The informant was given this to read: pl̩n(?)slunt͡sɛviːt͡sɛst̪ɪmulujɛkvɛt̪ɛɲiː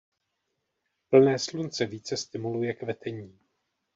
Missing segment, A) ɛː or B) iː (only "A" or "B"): A